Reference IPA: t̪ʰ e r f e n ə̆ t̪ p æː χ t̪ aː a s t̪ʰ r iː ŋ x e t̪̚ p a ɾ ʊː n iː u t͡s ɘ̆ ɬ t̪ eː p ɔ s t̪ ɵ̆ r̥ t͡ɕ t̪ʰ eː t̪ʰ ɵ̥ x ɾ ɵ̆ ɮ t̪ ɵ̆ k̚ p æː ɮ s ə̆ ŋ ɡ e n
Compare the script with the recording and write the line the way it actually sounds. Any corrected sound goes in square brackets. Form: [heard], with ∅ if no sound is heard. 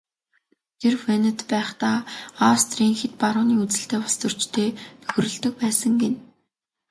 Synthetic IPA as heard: t̪ʰ e r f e n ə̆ t̪ p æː χ t̪ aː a s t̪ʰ r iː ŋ x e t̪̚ p a ɾ ʊː n iː u t͡s ɘ̆ ɬ t̪ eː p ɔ s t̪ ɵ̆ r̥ t͡ɕ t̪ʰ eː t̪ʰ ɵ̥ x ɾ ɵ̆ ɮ t̪ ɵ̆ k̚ p æː [∅] s ə̆ ŋ ɡ e n

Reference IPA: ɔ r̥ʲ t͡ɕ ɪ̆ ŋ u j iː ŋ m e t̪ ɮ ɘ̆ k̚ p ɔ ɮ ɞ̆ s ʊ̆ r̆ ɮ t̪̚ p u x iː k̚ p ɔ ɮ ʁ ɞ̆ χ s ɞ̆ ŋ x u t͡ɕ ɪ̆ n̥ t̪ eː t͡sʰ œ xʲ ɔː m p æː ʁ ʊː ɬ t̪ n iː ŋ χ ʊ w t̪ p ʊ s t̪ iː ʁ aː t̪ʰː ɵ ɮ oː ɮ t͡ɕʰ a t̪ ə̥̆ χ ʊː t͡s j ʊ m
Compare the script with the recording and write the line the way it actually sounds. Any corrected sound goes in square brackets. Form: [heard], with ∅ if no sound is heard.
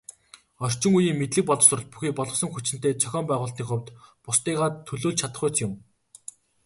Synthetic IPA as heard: ɔ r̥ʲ t͡ɕ ɪ̆ ŋ u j iː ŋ m e t̪ ɮ ɘ̆ k̚ p ɔ ɮ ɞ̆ s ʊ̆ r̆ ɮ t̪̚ p u x iː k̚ p ɔ ɮ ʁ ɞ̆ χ s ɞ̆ ŋ x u t͡ɕ ɪ̆ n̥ t̪ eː t͡sʰ œ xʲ ɔː m p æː ʁ ʊː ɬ t̪ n iː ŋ χ ʊ w t̪ p ʊ s t̪ iː ʁ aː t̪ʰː ɵ ɮ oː ɮ t͡ɕʰ a t̪ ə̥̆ χ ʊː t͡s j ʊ m

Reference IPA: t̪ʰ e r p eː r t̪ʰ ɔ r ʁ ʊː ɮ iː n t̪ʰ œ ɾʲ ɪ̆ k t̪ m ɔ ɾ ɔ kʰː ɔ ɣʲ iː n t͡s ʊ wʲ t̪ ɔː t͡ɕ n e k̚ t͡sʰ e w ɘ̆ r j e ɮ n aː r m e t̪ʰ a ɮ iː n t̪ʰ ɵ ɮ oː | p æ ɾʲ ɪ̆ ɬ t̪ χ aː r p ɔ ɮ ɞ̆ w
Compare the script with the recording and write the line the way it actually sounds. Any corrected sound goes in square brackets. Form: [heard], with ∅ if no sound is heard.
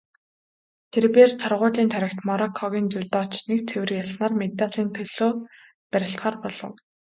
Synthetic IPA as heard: t̪ʰ e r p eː r t̪ʰ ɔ r ʁ ʊː ɮ iː n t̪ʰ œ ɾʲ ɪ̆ k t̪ m ɔ ɾ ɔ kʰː ɔ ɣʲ iː n t͡s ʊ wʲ t̪ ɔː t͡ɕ n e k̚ t͡sʰ e w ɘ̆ r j [a] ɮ n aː r m e [t̪] a ɮ iː n t̪ʰ ɵ ɮ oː | p æ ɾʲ ɪ̆ ɬ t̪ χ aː r p ɔ ɮ ɞ̆ w

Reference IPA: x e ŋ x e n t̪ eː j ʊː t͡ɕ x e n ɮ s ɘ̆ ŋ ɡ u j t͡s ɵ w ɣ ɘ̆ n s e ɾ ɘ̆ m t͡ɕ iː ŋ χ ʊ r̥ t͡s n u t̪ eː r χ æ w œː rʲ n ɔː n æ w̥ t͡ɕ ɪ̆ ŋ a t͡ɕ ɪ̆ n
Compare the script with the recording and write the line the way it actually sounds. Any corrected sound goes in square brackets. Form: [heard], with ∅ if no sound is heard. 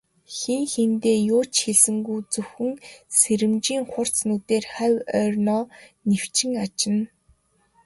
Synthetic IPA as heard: x e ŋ x e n t̪ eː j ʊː t͡ɕ x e [∅] ɮ s ɘ̆ ŋ ɡ u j t͡s ɵ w [x] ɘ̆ [ŋ] s e ɾ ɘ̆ m t͡ɕ iː ŋ χ ʊ r̥ t͡s n u t̪ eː r χ æ w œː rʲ n ɔː n [e] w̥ t͡ɕ ɪ̆ ŋ a t͡ɕ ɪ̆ n

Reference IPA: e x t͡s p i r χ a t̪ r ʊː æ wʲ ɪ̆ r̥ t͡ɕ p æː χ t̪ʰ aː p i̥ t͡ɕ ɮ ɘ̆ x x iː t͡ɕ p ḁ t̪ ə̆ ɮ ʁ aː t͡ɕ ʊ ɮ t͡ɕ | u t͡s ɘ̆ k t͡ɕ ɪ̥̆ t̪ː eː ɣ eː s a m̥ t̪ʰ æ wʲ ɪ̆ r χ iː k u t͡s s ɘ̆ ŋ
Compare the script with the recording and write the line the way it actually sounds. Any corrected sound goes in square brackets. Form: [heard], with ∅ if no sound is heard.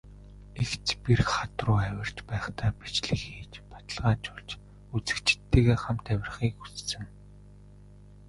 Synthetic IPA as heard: e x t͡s p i r χ a t̪ r ʊː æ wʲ ɪ̆ r̥ t͡ɕ p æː χ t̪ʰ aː p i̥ t͡ɕ ɮ ɘ̆ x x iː t͡ɕ p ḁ t̪ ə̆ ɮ ʁ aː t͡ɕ ʊ ɮ t͡ɕ | u t͡s ɘ̆ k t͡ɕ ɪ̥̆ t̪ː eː ɣ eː [χ] a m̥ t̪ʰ æ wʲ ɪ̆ r χ iː k u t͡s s ɘ̆ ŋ

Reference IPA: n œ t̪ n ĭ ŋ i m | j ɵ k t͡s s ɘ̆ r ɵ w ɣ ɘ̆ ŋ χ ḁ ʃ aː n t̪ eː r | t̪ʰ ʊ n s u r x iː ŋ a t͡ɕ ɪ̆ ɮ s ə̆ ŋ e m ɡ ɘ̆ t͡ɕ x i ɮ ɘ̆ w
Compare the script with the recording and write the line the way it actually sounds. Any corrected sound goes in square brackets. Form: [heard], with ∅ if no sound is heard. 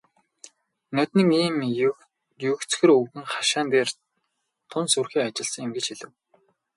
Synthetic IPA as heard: n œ t̪ n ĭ ŋ [iː] m | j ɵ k t͡s [x] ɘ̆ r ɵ w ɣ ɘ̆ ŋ χ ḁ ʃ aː n t̪ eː r | t̪ʰ ʊ n s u r x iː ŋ a t͡ɕ ɪ̆ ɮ s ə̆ ŋ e m ɡ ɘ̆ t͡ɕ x i ɮ ɘ̆ w

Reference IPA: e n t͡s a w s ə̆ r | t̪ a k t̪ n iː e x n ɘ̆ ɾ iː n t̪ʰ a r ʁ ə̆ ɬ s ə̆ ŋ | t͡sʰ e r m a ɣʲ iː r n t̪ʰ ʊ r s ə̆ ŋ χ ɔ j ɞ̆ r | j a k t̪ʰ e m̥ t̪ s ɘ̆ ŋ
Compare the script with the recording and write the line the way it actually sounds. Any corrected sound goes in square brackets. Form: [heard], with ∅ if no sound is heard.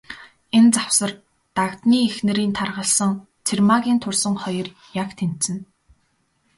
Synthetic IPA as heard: e n t͡s a w s ə̆ r | t̪ a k t̪ n iː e x n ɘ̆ ɾ iː n t̪ʰ a r ʁ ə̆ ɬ s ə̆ ŋ | t͡sʰ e r m a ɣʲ iː [∅] n t̪ʰ ʊ r s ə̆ ŋ χ ɔ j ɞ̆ r | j a k t̪ʰ e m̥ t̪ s ɘ̆ [n]

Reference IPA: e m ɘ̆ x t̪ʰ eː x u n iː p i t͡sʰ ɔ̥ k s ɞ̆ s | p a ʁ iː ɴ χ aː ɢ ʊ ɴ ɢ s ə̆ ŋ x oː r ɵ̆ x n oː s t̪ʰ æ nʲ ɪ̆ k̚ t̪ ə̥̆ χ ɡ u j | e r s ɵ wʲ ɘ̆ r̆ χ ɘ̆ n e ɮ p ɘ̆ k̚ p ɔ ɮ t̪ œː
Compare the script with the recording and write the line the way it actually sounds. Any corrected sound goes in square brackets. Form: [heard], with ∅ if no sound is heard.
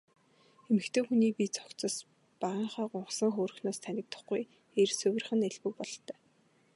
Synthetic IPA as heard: e m ɘ̆ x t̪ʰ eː x u n iː p i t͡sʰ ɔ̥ k [t͡s] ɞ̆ s | p a ʁ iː ɴ χ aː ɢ ʊ ɴ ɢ s ə̆ ŋ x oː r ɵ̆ x n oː s t̪ʰ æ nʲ ɪ̆ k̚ t̪ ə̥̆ χ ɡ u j | e r s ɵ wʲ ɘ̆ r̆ χ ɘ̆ n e ɮ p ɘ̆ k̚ p ɔ ɮ t̪ œː

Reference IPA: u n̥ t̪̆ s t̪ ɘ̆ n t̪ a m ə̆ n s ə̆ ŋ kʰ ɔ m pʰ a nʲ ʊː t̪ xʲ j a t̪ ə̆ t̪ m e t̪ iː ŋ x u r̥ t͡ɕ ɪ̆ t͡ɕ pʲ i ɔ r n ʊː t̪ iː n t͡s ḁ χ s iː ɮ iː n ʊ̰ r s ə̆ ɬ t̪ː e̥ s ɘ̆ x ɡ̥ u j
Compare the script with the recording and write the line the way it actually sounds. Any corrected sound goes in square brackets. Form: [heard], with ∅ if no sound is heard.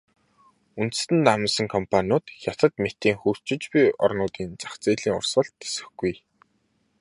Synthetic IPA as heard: u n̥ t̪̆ s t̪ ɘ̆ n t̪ a m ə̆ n s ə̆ ŋ kʰ ɔ m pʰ a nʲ ʊː t̪ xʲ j a t̪ ə̆ t̪ m e t̪ iː ŋ x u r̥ t͡ɕ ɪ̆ t͡ɕ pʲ i ɔ r n ʊː t̪ iː n t͡s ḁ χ [t͡s] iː ɮ iː [ŋ] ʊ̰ r s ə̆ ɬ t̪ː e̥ s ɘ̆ x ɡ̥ u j

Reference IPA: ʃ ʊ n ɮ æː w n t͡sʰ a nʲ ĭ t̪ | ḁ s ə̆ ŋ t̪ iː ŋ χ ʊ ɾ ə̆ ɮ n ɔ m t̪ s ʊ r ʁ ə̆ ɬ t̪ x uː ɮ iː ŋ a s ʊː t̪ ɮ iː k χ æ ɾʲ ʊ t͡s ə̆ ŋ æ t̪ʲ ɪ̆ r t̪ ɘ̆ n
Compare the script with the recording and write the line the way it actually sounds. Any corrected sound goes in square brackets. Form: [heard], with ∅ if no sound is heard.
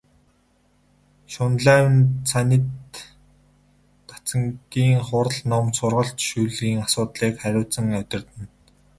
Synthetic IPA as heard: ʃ ʊ n ɮ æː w n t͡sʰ a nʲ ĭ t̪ | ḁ [t͡s] ə̆ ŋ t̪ iː ŋ χ ʊ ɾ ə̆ ɮ n ɔ m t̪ s ʊ r ʁ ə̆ ɬ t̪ [ʃ] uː ɮ iː ŋ a s ʊː t̪ ɮ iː k χ æ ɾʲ [ʊː] t͡s ə̆ ŋ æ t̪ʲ ɪ̆ r t̪ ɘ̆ n

